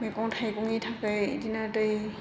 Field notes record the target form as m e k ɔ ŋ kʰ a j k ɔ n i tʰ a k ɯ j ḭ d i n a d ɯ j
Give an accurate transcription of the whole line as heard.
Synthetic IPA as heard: m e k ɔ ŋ tʰ a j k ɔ ŋ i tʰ a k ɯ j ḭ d i n a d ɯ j